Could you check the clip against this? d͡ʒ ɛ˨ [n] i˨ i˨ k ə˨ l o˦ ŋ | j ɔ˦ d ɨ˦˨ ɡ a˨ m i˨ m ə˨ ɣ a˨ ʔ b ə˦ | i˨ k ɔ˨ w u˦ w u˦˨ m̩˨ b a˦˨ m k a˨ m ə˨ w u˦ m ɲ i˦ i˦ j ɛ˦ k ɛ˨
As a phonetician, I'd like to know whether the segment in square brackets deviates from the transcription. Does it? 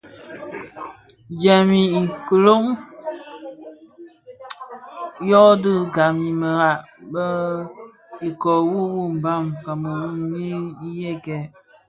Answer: yes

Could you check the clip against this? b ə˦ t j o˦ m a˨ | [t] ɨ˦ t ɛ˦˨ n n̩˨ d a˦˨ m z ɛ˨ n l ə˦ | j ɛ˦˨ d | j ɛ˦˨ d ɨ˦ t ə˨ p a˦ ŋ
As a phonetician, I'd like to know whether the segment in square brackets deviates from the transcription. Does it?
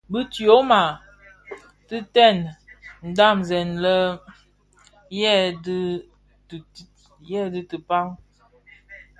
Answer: no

